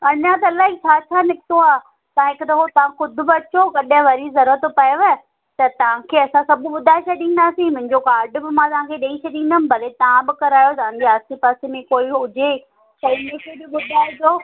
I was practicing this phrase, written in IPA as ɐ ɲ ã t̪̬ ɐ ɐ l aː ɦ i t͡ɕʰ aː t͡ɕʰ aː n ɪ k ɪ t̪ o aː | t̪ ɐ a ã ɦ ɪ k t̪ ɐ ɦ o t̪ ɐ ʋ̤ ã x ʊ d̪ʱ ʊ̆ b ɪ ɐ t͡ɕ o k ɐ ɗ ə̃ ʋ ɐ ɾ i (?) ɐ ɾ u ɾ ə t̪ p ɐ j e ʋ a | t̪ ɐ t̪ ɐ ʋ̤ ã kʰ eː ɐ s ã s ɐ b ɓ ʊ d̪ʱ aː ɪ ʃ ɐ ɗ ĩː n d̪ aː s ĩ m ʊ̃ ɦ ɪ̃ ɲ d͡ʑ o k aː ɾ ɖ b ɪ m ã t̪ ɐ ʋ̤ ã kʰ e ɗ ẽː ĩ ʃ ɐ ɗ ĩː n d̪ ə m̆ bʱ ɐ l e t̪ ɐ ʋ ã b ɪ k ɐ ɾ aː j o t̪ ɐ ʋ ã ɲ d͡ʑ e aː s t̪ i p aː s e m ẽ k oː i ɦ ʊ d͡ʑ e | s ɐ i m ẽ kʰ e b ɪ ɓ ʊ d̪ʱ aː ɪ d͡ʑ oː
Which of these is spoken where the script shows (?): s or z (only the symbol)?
z